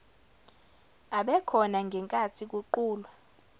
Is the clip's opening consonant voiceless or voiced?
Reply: voiced